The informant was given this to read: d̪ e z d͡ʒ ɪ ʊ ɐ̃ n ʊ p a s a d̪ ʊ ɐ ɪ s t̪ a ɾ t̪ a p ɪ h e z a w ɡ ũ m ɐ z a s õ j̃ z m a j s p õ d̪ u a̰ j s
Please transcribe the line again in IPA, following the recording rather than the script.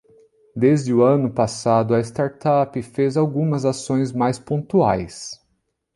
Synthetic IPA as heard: d̪ e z d͡ʒ ɪ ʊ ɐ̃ n ʊ p a s a d̪ ʊ ɐ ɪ s t̪ a ɾ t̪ a p ɪ f e z a w ɡ ũ m ɐ z a s õ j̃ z m a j s p õ t̪ u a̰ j s